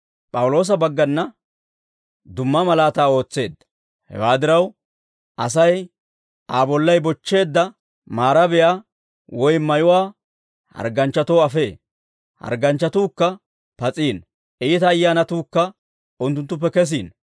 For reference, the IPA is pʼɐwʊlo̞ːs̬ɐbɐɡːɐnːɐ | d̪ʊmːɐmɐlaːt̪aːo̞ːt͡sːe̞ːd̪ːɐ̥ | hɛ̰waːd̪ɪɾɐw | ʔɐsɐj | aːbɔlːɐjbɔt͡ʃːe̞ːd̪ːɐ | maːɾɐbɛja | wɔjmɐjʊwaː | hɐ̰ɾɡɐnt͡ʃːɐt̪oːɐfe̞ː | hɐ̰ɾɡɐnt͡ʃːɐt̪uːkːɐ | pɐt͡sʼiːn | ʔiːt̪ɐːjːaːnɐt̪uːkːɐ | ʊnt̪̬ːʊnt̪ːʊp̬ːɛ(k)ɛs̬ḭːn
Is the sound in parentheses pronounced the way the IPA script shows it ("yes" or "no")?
yes